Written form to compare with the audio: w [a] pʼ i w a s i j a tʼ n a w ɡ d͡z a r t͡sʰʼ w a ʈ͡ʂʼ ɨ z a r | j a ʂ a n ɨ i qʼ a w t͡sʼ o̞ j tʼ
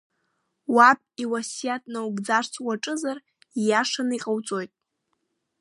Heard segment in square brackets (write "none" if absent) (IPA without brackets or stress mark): a